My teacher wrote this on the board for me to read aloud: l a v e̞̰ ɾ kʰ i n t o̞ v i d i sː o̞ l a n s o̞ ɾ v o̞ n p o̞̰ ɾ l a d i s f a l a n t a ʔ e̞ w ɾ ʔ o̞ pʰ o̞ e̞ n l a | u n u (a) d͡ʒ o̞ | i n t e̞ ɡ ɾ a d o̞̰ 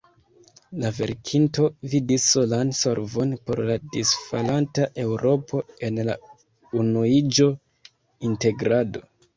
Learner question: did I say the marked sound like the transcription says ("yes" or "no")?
no